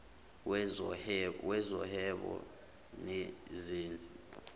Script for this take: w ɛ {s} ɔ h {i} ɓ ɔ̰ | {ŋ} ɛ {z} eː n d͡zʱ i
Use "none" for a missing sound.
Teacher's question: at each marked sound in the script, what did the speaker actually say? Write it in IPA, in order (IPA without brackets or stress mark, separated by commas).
z, ɛ, n, z